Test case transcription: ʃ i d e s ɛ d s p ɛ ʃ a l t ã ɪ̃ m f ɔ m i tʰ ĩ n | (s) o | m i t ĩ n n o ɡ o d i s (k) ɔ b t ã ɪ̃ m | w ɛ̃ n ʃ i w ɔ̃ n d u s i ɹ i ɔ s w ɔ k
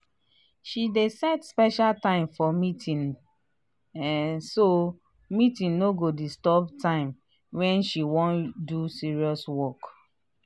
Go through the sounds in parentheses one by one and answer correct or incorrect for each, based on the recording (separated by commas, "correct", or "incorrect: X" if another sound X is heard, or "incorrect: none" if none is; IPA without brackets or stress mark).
correct, incorrect: t